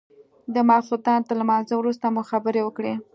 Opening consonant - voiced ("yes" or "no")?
yes